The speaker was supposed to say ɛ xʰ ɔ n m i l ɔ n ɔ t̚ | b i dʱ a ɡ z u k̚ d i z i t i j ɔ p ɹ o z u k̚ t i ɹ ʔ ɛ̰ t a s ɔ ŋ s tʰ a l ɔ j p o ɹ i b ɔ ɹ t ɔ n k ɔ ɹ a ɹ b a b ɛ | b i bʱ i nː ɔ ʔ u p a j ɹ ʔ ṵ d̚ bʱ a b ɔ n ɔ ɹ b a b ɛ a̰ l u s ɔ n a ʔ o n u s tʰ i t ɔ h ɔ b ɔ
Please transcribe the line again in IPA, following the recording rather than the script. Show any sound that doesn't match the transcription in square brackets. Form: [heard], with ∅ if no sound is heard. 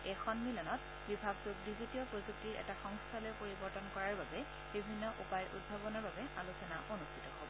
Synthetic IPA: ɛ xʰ ɔ n m i l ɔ n ɔ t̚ | b i [bʱ] a ɡ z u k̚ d i z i t i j ɔ p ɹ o z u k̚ t i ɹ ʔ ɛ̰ t a [x] ɔ ŋ s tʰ a l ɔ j p o ɹ i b ɔ ɹ t ɔ n k ɔ ɹ a ɹ b a b ɛ | b i bʱ i nː ɔ ʔ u p a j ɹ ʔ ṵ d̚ bʱ a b ɔ n ɔ ɹ b a b ɛ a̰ l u s ɔ n a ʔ o n u s tʰ i t ɔ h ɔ b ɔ